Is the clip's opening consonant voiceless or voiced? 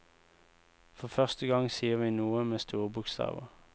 voiceless